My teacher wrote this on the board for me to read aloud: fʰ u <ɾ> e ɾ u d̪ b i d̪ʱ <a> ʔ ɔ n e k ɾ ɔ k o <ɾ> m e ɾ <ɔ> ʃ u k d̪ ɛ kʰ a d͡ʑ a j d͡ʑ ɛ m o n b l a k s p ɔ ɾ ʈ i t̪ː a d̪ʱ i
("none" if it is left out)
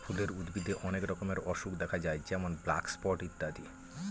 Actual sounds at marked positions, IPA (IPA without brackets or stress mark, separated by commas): l, e, none, ɔ